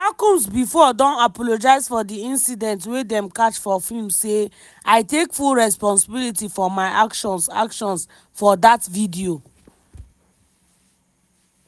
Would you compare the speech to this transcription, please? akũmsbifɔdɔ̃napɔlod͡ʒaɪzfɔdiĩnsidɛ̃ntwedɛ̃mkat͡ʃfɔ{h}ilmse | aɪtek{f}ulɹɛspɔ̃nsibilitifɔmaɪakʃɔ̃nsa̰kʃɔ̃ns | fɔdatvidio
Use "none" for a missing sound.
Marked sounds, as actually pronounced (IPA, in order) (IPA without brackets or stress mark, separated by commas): f, f